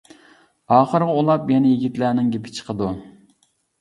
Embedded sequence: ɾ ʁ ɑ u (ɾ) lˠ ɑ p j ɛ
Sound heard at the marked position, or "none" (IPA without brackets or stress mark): none